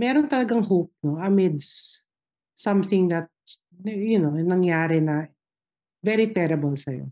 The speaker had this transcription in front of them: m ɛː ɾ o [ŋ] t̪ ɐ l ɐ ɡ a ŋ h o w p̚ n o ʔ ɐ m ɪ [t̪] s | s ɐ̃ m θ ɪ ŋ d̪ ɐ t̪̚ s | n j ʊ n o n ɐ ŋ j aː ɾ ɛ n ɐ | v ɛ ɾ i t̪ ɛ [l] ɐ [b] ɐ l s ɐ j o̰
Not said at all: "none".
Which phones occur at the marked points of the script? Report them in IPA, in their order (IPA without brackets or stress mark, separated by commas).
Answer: n, d̪, ɾ, b